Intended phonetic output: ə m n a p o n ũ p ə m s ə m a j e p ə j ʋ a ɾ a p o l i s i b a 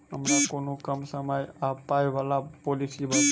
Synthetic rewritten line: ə m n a k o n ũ k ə m s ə m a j a p a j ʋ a l a p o l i s i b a

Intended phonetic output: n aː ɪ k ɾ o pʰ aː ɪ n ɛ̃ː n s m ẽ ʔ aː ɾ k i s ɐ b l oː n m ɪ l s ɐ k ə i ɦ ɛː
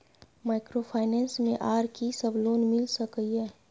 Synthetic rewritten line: m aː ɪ k ɾ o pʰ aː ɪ n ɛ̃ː n s m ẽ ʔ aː ɾ k i s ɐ b l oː n m ɪ l s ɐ k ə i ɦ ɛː

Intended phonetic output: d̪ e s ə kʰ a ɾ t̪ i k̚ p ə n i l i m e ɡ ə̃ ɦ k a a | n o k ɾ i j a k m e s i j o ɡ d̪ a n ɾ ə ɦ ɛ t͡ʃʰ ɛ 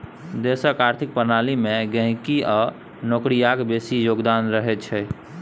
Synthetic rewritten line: d̪ e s ə k a ɾ t̪ʰ i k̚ p ə n a l i m e ɡ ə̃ ɦ k i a | n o k ɾ i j a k b e s i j o ɡ d̪ a n ɾ ə ɦ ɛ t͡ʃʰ ɛ

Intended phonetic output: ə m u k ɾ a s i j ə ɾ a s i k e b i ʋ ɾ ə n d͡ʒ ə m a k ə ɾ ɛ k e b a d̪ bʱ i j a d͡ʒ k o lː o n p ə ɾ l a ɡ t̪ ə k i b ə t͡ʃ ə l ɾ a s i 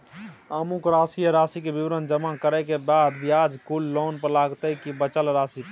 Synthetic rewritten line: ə m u k ɾ a s i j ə ɾ a s i k e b i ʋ ɾ ə n d͡ʒ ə m a k ə ɾ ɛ k e b a d̪ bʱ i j a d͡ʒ k u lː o n p ə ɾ l a ɡ t̪ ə k i b ə t͡ʃ ə l ɾ a s i

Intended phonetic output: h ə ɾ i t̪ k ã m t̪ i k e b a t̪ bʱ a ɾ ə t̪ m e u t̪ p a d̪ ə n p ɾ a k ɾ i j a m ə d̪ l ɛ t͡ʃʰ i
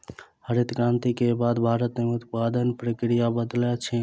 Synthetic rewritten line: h ə ɾ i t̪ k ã n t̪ i k e b a d̪ bʱ a ɾ ə t̪ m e u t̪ p a d̪ ə n p ɾ ə k ɾ i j a b ə d̪ l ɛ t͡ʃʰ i

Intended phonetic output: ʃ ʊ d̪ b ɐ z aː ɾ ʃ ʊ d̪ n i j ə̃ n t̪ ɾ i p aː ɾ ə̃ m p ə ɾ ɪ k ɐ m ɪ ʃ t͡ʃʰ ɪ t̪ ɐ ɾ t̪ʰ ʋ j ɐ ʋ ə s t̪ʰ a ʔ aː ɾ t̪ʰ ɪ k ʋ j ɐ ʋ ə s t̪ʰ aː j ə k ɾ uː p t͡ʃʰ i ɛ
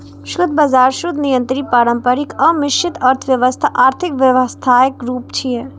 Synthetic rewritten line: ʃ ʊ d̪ b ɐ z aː ɾ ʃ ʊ d̪ n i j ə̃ n t̪ ɾ i p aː ɾ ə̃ m p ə ɾ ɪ k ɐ m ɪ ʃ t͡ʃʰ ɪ t̪ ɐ ɾ t̪ʰ ʋ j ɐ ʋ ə s t̪ʰ a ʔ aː ɾ t̪ʰ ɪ k ʋ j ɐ ʋ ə s t̪ʰ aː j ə k ɾ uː p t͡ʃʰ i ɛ

